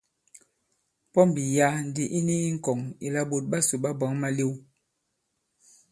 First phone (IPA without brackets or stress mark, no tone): p